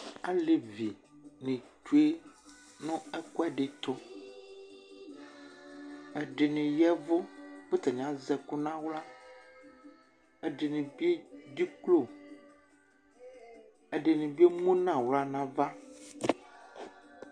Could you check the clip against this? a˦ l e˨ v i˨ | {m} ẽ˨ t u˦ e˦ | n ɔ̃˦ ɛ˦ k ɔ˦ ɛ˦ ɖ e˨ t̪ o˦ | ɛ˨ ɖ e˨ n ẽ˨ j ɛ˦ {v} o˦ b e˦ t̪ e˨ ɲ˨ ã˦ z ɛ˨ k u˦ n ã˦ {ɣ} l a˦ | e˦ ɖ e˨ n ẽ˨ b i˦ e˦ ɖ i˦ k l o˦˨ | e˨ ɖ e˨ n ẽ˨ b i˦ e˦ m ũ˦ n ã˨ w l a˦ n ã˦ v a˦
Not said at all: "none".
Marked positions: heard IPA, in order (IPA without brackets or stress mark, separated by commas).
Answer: n, v, w